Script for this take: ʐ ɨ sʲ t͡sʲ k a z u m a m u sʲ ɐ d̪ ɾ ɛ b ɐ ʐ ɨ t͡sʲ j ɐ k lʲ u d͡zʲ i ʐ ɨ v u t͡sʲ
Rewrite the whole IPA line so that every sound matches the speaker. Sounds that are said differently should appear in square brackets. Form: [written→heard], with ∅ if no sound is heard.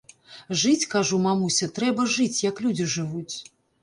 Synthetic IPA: ʐ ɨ [sʲ→∅] t͡sʲ k a [z→ʐ] u m a m u sʲ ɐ [d̪→t̪] ɾ ɛ b ɐ ʐ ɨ t͡sʲ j ɐ k lʲ u d͡zʲ i ʐ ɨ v u t͡sʲ